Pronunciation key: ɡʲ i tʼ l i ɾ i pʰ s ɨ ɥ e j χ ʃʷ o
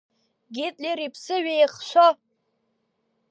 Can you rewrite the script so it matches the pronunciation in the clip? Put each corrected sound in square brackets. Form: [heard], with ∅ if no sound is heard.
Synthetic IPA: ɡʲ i tʼ l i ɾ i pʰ s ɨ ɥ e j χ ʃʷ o